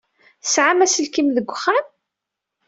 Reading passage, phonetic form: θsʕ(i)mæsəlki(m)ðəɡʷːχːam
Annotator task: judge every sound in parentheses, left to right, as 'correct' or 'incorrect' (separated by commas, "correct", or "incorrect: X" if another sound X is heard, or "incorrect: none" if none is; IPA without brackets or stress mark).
incorrect: a, correct